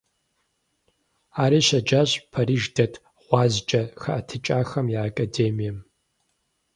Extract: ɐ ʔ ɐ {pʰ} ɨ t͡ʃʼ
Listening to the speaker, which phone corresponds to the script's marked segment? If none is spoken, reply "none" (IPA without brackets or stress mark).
tʰ